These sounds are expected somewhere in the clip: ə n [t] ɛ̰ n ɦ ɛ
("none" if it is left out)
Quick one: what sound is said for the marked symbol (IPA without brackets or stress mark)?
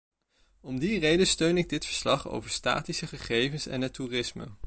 s